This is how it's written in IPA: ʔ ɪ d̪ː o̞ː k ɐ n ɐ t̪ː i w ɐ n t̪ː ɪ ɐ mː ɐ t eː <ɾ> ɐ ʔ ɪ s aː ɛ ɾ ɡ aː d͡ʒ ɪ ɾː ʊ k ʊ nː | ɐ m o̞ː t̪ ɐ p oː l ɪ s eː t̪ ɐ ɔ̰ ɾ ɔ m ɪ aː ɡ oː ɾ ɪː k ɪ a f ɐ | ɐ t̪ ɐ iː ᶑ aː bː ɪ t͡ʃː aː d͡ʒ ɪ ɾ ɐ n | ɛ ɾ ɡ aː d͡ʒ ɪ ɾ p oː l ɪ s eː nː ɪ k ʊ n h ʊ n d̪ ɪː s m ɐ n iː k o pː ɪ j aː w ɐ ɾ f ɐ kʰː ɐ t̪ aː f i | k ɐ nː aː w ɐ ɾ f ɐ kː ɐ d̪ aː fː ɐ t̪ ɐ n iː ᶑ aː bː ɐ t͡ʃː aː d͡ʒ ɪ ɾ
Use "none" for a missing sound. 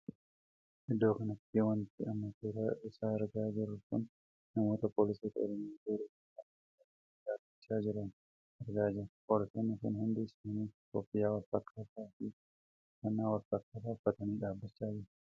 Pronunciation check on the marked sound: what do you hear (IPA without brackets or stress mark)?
ɾ